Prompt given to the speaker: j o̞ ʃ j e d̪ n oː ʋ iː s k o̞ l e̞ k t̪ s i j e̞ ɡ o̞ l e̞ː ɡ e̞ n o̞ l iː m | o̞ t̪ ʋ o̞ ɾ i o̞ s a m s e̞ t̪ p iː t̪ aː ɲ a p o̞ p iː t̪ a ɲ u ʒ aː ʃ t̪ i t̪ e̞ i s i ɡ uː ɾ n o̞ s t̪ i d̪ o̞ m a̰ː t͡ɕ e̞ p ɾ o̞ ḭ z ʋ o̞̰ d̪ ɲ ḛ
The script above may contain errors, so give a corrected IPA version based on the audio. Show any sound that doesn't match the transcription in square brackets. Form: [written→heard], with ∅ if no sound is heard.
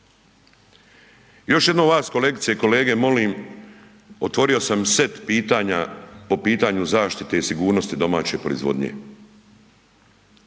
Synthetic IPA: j o̞ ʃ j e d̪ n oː ʋ [iː→aː] s k o̞ l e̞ k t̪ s i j e̞ [ɡ→k] o̞ l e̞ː ɡ e̞ [n→m] o̞ l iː m | o̞ t̪ ʋ o̞ ɾ i o̞ s a m s e̞ t̪ p iː t̪ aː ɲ a p o̞ p iː t̪ a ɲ u [ʒ→z] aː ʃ t̪ i t̪ e̞ i s i ɡ uː ɾ n o̞ s t̪ i d̪ o̞ m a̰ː t͡ɕ e̞ p ɾ o̞ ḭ z ʋ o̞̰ d̪ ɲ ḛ